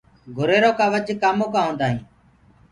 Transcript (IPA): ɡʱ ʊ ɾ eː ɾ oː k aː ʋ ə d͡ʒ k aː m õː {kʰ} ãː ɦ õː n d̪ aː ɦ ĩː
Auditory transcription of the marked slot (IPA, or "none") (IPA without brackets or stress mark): k